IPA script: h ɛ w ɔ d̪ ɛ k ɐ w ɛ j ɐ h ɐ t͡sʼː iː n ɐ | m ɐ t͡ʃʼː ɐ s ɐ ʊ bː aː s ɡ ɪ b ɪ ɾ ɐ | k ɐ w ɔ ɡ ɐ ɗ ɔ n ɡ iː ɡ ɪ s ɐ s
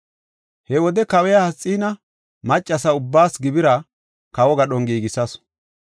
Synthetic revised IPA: h ɛ w ɔ d̪ ɛ k ɐ w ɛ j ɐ h ɐ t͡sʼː iː n ɐ | m ɐ t͡ʃʼː ɐ s ɐ ʊ bː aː s ɡ ɪ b ɪ ɾ ɐ | k ɐ w ɔ ɡ ɐ ɗ ɔ ŋ ɡ iː ɡ ɪ s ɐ s